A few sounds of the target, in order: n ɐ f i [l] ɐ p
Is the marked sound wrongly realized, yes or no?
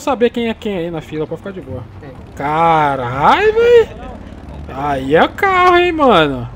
no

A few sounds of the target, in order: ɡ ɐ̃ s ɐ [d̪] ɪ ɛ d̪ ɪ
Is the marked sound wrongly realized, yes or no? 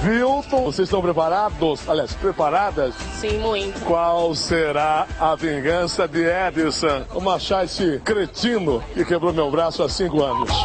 no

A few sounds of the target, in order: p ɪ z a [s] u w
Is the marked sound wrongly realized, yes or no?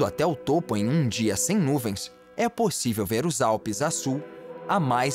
no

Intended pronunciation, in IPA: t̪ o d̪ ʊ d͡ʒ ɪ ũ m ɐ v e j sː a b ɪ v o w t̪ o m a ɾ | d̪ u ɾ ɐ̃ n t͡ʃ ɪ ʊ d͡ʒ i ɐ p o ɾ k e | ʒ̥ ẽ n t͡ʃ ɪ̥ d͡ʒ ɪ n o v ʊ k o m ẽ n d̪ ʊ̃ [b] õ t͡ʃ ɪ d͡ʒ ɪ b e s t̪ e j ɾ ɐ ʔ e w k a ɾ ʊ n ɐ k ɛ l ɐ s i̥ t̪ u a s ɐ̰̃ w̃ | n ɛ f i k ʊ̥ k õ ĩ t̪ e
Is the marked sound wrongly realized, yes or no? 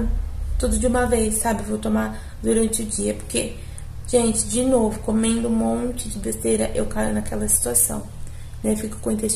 yes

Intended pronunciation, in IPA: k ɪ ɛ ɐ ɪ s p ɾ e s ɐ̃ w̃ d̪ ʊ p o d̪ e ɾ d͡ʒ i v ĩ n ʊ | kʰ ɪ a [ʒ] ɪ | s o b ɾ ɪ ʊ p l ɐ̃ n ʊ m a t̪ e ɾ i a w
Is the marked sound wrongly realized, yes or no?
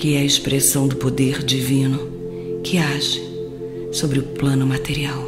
no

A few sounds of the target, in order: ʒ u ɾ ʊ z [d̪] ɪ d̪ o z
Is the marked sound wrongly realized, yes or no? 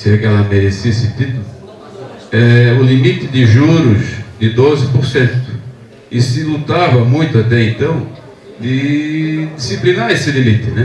no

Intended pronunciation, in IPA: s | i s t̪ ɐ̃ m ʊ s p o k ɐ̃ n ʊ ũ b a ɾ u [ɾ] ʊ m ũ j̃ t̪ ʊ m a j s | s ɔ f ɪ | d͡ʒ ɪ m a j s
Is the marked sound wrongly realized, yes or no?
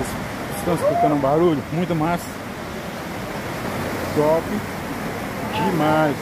yes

